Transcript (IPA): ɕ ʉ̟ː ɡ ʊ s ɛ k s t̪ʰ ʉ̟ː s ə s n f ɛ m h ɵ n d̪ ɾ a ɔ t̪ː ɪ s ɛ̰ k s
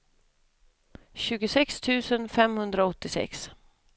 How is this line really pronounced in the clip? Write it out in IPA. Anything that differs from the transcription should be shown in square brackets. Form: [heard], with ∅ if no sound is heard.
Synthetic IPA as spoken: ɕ ʉ̟ː ɡ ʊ s ɛ k s t̪ʰ ʉ̟ː s ə [∅] n f ɛ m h ɵ n d̪ ɾ a ɔ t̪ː ɪ s ɛ̰ k s